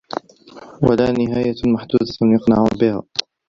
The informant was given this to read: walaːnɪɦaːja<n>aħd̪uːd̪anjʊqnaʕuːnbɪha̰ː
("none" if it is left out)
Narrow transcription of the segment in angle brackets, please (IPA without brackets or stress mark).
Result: m